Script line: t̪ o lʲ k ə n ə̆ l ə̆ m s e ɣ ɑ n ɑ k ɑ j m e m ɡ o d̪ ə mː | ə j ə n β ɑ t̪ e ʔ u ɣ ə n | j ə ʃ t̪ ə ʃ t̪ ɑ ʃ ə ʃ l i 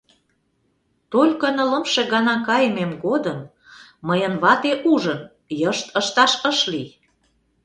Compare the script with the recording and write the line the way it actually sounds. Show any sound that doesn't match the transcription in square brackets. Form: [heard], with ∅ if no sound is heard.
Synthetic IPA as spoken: t̪ o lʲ k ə n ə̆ l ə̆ m [ʃ] e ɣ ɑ n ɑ k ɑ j m e m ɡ o d̪ ə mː | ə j ə n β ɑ t̪ e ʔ u [ʒ] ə n | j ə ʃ t̪ ə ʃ t̪ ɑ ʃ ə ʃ l i